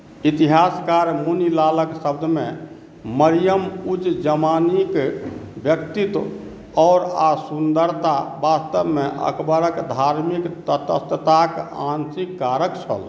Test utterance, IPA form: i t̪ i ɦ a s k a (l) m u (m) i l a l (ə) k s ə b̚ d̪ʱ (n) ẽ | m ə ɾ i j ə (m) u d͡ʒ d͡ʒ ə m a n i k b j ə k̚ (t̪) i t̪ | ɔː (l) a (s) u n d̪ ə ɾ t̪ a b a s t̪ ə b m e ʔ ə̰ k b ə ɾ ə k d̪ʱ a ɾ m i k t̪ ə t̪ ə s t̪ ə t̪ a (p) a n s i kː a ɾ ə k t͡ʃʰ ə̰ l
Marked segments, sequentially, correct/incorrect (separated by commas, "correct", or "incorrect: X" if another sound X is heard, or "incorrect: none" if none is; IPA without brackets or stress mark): incorrect: ɾ, incorrect: n, correct, incorrect: m, correct, correct, incorrect: ɾ, correct, incorrect: k